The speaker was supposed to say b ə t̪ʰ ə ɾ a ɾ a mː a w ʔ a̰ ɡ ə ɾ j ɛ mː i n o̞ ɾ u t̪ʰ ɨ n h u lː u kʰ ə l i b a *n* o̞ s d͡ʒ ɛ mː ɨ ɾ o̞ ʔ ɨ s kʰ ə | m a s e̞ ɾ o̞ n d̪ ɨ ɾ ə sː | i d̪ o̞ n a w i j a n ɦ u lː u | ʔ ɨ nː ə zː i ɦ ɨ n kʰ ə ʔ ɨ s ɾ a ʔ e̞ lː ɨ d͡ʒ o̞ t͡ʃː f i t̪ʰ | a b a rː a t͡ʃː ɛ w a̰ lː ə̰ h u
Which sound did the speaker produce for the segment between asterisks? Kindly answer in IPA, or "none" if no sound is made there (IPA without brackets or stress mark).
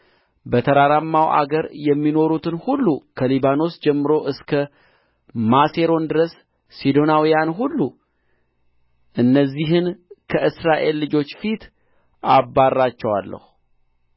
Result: n